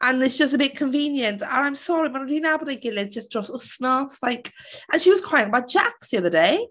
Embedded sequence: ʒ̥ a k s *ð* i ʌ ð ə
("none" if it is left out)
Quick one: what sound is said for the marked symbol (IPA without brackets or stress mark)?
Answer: ð